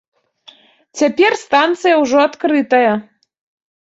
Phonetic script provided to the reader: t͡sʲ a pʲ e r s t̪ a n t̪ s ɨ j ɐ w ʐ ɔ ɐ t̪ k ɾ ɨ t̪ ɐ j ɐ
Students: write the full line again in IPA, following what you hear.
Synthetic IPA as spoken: t͡sʲ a pʲ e r s t̪ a n t̪ s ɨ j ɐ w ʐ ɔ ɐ t̪ k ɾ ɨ t̪ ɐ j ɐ